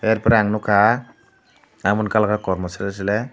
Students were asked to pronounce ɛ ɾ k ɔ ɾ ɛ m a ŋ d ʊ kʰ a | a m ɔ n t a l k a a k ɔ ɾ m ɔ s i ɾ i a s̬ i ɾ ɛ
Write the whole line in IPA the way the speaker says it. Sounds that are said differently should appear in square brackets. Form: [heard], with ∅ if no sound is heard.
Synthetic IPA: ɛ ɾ [p] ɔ ɾ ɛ [∅] a ŋ [n] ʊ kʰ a | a m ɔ n [k] a l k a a k ɔ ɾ m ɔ s [a] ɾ i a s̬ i [l] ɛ